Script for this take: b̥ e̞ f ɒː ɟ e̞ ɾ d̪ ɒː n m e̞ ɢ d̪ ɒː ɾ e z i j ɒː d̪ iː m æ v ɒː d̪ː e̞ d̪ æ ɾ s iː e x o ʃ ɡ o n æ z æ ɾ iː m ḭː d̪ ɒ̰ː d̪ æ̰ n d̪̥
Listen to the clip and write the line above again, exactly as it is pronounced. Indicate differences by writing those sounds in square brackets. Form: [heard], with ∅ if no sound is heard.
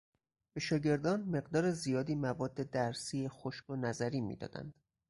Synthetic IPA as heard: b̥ e̞ [ʃ] ɒː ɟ e̞ ɾ d̪ ɒː n m e̞ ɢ d̪ ɒː ɾ e z i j ɒː d̪ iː m æ v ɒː d̪ː e̞ d̪ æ ɾ s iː e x o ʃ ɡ o n æ z æ ɾ iː m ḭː d̪ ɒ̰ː d̪ æ̰ n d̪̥